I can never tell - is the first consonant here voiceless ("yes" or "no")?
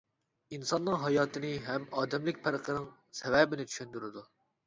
no